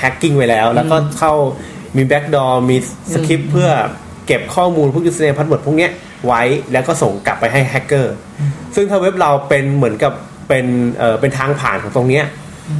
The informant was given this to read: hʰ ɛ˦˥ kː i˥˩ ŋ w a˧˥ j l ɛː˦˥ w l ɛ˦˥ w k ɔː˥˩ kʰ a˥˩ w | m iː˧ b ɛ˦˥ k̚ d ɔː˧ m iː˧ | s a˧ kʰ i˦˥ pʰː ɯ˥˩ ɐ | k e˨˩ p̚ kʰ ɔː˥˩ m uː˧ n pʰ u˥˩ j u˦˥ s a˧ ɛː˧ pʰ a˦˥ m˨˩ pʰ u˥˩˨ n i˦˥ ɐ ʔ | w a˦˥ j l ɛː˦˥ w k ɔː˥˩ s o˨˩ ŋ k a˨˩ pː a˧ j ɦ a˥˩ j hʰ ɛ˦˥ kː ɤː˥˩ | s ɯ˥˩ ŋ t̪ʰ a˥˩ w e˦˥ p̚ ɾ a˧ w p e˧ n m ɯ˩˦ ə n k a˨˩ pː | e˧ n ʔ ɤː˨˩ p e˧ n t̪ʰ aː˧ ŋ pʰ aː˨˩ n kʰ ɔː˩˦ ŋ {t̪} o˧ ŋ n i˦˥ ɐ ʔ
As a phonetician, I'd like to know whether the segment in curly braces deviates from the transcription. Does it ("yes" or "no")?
no